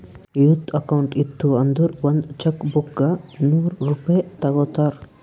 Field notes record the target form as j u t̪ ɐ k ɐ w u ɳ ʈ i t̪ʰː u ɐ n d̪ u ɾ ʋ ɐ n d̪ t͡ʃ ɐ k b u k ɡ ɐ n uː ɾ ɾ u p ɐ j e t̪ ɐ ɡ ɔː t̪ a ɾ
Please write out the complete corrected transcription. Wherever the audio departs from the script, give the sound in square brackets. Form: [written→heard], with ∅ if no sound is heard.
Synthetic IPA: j u t̪ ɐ k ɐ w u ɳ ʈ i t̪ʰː u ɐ n d̪ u ɾ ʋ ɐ n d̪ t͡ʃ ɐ k b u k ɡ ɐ n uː ɾ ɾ u p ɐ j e t̪ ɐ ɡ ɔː t̪ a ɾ